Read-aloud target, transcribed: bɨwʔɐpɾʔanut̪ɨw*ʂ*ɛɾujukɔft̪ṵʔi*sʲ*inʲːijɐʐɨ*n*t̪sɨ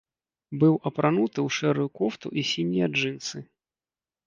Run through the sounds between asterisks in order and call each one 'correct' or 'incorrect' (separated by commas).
correct, correct, correct